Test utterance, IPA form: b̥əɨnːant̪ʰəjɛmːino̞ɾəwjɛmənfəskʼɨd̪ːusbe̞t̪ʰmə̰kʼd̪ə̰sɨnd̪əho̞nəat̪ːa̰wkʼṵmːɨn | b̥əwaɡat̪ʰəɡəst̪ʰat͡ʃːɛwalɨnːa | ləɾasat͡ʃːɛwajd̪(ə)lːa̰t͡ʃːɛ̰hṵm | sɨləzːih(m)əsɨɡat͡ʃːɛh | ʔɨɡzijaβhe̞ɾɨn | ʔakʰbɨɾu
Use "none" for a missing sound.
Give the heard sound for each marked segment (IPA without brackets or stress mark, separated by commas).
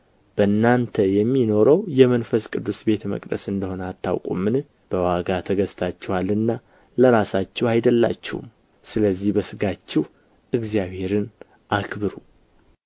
ə, b